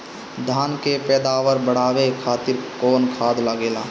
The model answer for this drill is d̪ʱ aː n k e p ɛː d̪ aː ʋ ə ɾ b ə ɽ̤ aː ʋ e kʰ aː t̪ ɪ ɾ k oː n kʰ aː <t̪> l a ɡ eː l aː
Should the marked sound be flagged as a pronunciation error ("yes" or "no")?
yes